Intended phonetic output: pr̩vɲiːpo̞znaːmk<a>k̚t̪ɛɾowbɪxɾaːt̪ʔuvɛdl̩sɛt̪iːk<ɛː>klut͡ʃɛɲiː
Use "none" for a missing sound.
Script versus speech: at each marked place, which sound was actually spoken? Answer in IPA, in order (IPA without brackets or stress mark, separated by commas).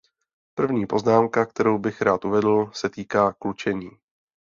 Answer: a, aː